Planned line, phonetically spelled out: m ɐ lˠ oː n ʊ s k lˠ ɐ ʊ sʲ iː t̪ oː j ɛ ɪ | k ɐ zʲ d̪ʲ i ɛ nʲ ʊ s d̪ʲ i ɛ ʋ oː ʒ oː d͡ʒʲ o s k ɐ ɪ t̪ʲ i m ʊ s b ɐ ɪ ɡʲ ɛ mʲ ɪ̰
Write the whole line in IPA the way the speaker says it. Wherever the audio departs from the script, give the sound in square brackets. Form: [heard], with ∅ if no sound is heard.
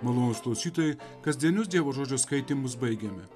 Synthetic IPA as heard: m ɐ lˠ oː n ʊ s k lˠ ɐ ʊ sʲ iː t̪ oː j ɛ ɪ | k ɐ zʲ d̪ʲ i ɛ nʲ ʊ s d̪ʲ i ɛ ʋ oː ʒ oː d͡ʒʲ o s k ɐ ɪ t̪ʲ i m ʊ s b ɐ ɪ ɡʲ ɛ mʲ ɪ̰